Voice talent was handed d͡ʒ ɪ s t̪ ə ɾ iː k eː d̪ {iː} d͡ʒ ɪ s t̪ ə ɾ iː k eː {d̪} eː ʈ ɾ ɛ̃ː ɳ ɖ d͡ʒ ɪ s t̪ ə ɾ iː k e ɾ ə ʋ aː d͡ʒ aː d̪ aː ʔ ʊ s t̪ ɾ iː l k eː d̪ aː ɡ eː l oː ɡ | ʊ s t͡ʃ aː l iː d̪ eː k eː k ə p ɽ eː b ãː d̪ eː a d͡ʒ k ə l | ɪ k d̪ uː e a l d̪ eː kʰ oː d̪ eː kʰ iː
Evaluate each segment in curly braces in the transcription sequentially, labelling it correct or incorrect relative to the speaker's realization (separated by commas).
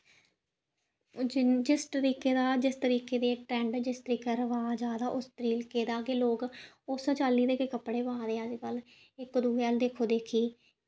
incorrect, correct